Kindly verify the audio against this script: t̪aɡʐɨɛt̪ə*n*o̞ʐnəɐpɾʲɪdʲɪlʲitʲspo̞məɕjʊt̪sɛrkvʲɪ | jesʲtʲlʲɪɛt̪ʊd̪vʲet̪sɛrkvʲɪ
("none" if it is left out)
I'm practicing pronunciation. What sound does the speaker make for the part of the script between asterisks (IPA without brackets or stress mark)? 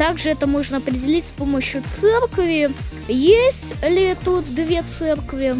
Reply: m